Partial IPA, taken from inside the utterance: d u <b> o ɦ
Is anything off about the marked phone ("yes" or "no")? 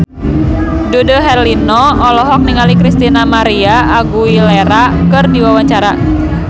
yes